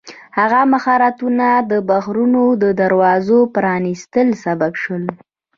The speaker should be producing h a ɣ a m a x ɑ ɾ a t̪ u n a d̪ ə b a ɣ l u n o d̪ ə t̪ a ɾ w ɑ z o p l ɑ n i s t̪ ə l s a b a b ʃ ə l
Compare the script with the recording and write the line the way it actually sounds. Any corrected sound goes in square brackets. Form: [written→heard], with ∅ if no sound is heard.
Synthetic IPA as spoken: h a ɣ a m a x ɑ ɾ a t̪ u n a d̪ ə b a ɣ [l→ɾ] u n o d̪ ə [t̪→d̪] a ɾ w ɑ z o p [l→ɾ] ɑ n i s t̪ ə l s a b a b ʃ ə l